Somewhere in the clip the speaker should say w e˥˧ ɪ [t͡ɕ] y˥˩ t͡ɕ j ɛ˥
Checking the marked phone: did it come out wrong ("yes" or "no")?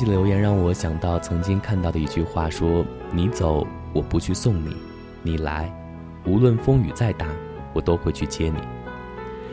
yes